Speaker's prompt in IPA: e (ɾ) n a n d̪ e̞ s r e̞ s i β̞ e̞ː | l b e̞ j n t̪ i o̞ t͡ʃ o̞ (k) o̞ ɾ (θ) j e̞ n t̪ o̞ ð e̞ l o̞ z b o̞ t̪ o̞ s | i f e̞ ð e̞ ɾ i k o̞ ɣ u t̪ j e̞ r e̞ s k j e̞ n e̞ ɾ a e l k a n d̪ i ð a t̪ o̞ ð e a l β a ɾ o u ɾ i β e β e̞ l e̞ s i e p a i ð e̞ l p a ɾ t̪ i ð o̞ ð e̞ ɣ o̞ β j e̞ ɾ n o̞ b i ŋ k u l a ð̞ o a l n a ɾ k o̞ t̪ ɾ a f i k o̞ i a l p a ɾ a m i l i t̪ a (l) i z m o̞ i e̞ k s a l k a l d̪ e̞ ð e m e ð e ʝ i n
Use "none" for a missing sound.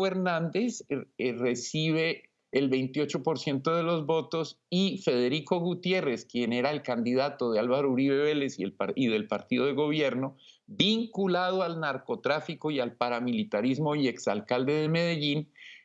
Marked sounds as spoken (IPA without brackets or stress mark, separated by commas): ɾ, p, s, ɾ